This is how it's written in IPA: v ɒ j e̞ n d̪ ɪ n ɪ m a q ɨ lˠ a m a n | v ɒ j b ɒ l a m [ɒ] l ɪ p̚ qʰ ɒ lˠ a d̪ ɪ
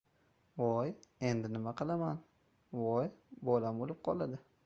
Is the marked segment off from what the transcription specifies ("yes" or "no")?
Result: yes